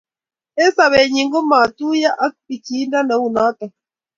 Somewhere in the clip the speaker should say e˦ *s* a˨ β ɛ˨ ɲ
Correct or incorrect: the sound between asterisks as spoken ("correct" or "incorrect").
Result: correct